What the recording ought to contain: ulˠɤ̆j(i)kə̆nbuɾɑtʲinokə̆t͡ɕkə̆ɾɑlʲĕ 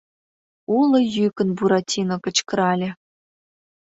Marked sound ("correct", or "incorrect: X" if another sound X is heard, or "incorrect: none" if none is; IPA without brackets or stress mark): incorrect: y